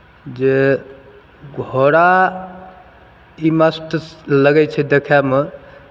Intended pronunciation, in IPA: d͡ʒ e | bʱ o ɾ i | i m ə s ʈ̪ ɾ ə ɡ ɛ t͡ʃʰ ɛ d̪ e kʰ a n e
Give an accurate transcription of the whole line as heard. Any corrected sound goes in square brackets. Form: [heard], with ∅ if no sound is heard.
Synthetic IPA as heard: d͡ʒ e | [ɡʱ] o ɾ [a] | i m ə s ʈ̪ [l] ə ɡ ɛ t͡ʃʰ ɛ d̪ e kʰ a [m] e